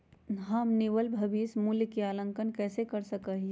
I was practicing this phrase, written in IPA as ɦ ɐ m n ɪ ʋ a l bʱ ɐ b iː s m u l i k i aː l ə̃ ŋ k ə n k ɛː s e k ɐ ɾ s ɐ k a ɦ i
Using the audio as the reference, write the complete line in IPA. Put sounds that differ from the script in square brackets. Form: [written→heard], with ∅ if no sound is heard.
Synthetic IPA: ɦ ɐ m n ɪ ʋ [a→ə] l bʱ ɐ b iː s m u l [i→j] k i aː l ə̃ ŋ k ə n k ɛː s e k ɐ ɾ s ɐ k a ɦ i